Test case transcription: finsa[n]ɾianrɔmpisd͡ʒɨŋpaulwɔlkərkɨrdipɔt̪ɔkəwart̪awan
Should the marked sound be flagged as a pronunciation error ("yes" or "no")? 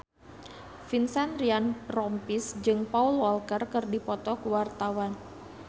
no